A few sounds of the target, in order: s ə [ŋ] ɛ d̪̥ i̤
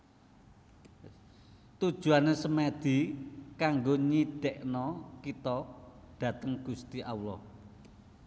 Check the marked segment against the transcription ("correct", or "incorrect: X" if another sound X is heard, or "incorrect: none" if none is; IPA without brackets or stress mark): incorrect: m